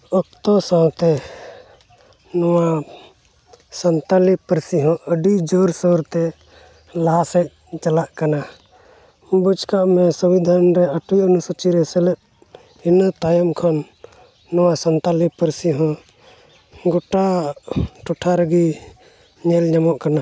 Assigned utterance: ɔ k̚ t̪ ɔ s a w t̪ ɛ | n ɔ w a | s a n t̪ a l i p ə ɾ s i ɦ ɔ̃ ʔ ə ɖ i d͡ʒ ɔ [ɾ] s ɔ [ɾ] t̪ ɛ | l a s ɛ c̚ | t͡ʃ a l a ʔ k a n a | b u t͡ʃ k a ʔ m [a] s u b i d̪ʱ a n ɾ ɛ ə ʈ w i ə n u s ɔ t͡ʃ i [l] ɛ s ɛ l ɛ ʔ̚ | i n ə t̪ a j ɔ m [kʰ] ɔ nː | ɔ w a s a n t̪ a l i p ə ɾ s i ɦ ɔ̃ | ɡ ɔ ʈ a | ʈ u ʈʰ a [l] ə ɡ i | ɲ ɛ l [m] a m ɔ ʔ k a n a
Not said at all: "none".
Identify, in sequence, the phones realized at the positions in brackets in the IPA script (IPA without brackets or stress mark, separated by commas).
ɾ, ɾ, ɛ, ɾ, kʰ, ɾ, ɲ